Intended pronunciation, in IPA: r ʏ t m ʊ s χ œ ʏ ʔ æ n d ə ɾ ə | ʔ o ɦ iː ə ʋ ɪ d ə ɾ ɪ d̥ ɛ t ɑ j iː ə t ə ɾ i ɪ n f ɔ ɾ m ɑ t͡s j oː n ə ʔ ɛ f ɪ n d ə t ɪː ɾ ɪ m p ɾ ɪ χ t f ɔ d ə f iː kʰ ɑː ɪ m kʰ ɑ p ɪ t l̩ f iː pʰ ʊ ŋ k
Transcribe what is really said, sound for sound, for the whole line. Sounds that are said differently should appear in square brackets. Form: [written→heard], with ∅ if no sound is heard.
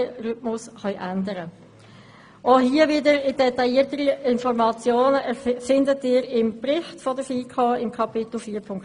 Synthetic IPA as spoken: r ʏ t m ʊ s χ œ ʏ ʔ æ n d ə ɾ ə | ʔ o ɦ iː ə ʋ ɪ d ə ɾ ɪ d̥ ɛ t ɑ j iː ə t ə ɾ i ɪ n f ɔ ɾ m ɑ t͡s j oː n ə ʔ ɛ f ɪ n d ə t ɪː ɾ ɪ m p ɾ ɪ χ t f ɔ d ə f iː kʰ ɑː ɪ m kʰ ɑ p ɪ t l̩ f iː pʰ ʊ ŋ k

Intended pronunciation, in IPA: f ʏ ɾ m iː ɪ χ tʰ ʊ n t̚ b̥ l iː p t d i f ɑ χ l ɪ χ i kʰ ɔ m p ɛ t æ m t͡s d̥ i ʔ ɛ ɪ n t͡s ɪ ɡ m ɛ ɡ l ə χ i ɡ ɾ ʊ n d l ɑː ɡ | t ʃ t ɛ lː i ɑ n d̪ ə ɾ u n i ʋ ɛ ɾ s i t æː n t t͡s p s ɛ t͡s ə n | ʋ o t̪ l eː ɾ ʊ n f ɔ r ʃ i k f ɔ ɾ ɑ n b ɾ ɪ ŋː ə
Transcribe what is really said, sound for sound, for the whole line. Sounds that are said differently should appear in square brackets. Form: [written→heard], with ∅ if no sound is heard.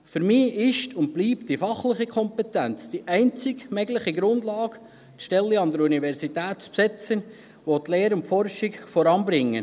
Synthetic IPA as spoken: f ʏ ɾ m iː ɪ [χ→ʃ] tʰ ʊ n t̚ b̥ l iː p t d i f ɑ χ l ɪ χ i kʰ ɔ m p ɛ t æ [m→n] t͡s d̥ i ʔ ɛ ɪ n t͡s ɪ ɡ m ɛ ɡ l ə χ i ɡ ɾ ʊ n d l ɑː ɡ | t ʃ t ɛ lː i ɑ n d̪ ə ɾ u n i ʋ ɛ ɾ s i t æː [n→∅] t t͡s p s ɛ t͡s ə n | ʋ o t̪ l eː ɾ ʊ n f ɔ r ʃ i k f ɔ ɾ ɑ n b ɾ ɪ ŋː ə

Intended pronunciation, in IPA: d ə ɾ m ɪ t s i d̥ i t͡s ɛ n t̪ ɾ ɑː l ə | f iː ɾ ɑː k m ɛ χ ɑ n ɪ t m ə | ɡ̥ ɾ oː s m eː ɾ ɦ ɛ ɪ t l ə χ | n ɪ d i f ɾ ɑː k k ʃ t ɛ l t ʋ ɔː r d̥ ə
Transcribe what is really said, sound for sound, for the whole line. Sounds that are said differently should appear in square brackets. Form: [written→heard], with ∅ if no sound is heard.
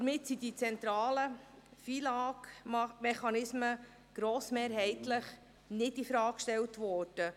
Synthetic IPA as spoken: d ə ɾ m ɪ t s i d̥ i t͡s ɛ n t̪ ɾ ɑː l ə | f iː [ɾ→l] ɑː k m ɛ χ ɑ n ɪ [t→s] m ə | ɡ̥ ɾ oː s m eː ɾ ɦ ɛ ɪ t l ə χ | n ɪ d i f ɾ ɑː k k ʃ t ɛ l t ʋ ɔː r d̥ ə

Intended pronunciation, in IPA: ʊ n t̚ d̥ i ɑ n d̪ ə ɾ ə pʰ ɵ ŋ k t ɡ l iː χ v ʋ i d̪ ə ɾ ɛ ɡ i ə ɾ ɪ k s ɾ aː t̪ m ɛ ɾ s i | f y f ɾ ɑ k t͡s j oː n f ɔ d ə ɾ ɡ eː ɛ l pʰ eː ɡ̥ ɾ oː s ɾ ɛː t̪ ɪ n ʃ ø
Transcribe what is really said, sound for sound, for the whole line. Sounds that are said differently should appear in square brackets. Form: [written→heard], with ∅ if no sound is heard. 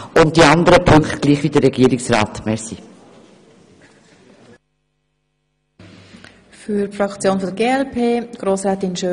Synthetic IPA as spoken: ʊ n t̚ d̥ i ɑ n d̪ ə ɾ ə pʰ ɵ ŋ k t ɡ l iː χ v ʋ i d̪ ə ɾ ɛ ɡ i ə ɾ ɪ k s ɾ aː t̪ m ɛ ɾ s i | f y f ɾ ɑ k t͡s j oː n f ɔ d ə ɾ ɡ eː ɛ l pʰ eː ɡ̥ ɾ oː s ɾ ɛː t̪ ɪ n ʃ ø

